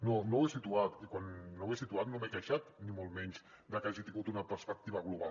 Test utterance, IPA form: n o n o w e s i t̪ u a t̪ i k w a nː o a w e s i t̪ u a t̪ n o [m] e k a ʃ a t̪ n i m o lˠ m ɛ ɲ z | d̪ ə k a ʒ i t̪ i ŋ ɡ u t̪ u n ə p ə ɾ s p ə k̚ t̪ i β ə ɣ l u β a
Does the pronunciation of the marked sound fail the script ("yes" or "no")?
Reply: no